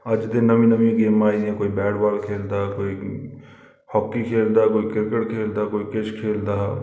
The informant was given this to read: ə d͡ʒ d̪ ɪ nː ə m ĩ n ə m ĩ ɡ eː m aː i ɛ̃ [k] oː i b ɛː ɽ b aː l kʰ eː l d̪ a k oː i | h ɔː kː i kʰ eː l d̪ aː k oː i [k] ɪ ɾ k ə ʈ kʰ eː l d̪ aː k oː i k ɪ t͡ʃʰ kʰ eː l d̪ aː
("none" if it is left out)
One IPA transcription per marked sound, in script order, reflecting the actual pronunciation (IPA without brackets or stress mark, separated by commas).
k, k